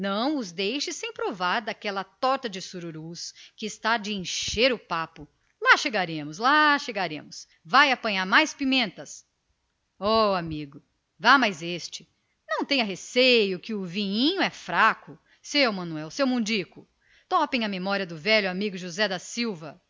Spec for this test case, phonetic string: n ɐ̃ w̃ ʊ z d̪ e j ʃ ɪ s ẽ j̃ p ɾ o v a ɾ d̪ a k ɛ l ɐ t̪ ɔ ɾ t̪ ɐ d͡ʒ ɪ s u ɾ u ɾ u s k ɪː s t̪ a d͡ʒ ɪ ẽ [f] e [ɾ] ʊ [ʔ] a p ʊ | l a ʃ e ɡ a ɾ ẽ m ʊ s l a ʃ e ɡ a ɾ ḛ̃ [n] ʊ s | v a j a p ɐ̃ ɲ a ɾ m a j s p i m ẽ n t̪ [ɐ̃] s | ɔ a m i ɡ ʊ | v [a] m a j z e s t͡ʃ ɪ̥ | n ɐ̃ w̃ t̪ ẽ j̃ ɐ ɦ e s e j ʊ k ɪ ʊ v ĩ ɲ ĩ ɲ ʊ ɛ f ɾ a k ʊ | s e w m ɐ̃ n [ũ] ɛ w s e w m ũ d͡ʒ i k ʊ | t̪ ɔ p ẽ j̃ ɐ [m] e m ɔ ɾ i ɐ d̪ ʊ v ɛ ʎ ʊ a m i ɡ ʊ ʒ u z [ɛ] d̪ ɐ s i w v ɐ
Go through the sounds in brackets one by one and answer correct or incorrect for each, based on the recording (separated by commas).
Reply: incorrect, correct, incorrect, incorrect, incorrect, correct, incorrect, correct, correct